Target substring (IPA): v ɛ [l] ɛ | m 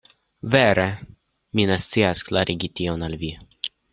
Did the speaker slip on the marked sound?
yes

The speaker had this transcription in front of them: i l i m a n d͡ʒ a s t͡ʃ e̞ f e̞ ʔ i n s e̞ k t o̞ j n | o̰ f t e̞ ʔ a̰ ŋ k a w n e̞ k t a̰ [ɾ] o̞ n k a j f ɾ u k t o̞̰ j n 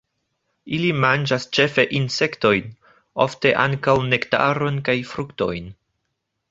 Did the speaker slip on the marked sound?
no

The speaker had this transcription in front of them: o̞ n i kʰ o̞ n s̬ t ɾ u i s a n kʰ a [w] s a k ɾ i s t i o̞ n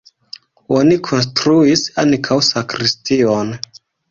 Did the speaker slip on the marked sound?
no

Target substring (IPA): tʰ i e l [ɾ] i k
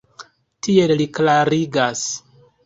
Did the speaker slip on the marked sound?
yes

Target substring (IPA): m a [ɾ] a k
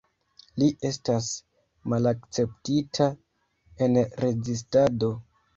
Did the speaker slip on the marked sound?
yes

